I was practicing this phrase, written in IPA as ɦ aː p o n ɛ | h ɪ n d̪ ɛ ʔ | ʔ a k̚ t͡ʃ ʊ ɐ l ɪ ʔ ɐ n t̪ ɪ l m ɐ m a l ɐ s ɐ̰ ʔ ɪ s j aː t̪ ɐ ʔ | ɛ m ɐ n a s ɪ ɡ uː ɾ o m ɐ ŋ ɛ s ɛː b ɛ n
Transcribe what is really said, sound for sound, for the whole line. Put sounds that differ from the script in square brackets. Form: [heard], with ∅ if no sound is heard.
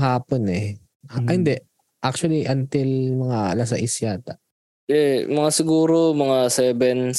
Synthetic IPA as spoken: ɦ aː p o n ɛ | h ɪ n d̪ ɛ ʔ | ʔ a k̚ t͡ʃ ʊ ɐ l [i] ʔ ɐ n t̪ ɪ l m ɐ [ŋ] a l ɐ s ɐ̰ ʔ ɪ s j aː t̪ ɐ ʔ | ɛ m ɐ [ŋ] a s ɪ ɡ uː ɾ o m ɐ ŋ [a] s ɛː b ɛ n